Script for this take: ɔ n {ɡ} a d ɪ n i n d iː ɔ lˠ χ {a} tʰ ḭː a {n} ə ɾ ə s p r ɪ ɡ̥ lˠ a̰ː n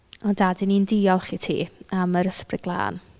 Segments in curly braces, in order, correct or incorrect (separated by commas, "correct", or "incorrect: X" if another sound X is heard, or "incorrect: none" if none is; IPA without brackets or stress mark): incorrect: d, incorrect: i, incorrect: m